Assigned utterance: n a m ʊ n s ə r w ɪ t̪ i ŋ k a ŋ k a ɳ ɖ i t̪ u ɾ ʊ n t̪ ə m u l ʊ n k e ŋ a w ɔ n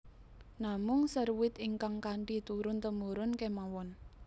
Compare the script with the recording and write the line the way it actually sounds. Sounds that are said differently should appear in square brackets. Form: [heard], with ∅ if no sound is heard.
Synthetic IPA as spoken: n a m ʊ [ŋ] s ə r w ɪ t̪ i ŋ k a ŋ k a ɳ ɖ i t̪ u ɾ ʊ n t̪ ə m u [ɾ] ʊ n k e [m] a w ɔ n